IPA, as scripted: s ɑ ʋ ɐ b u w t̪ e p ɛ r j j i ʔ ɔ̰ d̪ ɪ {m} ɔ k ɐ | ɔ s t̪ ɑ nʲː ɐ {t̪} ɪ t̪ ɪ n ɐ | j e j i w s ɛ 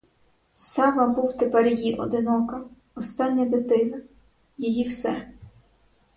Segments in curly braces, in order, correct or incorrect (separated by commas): incorrect, incorrect